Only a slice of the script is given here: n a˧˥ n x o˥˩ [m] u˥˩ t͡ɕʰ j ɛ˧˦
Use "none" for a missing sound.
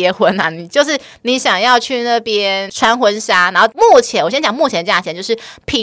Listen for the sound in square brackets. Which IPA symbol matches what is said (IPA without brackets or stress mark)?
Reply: m